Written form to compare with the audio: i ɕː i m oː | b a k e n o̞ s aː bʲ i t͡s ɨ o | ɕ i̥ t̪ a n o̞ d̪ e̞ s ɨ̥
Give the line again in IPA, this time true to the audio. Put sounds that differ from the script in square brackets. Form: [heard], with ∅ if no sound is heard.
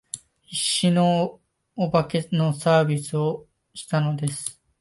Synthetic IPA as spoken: i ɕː i [n] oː | b a k e n o̞ s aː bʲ i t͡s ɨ o | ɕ i̥ t̪ a n o̞ d̪ e̞ s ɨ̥